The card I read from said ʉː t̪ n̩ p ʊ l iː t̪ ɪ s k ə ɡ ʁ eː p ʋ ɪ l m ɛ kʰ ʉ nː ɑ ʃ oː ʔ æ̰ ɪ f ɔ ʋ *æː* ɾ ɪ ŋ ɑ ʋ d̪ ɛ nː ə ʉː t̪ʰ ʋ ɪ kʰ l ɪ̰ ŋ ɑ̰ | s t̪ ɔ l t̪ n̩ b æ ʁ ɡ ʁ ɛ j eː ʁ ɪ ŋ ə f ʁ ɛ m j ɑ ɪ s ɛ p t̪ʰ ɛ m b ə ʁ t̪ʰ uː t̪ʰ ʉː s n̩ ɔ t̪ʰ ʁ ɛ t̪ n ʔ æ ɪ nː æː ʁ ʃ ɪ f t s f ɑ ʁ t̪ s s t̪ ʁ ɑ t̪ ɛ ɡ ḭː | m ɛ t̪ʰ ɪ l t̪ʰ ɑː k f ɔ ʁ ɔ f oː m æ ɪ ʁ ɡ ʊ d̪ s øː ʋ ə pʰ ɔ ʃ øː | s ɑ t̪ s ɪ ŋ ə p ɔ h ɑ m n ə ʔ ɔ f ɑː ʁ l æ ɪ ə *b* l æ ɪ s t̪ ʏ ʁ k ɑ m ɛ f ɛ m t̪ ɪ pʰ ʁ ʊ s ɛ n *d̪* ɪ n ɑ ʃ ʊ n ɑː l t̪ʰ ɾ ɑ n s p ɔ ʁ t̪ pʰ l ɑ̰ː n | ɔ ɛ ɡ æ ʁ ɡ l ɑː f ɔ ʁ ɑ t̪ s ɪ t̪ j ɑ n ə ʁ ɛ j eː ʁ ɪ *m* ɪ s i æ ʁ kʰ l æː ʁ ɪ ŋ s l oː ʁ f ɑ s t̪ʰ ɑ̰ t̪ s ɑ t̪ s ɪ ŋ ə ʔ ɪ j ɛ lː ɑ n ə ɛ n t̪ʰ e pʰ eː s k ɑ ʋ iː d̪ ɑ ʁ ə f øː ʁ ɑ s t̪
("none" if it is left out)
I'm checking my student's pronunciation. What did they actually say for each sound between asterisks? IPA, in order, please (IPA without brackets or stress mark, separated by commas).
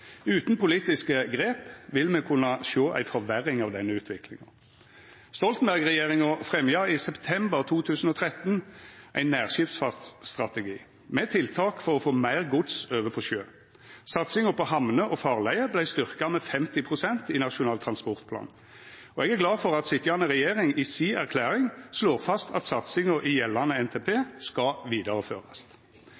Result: æ, b, t̪, ŋ